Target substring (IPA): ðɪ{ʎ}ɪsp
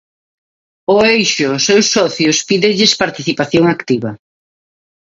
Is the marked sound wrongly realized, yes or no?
no